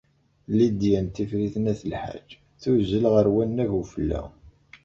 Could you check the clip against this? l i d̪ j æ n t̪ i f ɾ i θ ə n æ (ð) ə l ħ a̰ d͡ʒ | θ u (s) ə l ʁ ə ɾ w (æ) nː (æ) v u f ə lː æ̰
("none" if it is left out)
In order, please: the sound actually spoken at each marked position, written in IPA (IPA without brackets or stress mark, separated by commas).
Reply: θ, z, æ, æ